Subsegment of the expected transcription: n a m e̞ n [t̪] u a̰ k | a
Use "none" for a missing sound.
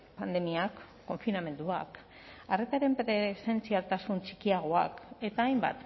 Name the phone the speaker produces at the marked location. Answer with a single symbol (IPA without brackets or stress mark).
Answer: d̪